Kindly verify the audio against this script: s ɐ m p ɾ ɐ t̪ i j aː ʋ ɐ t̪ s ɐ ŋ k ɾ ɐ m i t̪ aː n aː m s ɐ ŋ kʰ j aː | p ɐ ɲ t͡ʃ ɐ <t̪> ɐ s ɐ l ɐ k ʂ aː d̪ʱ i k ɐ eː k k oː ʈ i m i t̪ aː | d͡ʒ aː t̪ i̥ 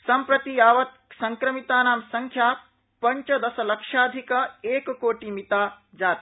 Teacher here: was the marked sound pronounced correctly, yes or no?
no